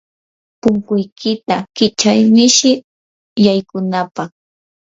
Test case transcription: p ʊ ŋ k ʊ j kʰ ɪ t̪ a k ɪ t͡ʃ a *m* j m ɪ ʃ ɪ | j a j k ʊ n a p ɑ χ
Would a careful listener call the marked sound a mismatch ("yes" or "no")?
yes